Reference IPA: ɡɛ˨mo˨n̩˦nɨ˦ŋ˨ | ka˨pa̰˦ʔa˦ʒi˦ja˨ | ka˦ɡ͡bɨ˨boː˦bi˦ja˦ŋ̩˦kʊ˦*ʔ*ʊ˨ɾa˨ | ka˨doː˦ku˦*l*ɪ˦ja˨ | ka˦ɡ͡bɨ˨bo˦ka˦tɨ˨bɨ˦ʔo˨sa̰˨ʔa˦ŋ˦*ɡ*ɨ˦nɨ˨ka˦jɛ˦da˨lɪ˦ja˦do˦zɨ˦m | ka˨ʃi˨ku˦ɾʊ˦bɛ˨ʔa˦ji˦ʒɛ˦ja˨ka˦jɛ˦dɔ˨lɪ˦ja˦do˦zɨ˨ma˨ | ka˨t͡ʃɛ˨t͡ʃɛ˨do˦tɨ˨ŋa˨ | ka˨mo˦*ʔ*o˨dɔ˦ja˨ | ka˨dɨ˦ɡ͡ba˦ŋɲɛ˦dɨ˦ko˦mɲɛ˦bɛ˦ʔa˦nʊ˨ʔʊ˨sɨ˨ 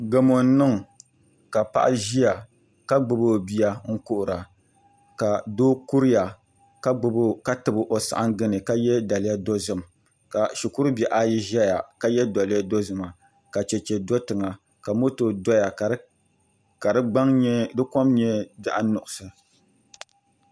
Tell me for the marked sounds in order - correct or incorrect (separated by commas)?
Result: correct, incorrect, correct, incorrect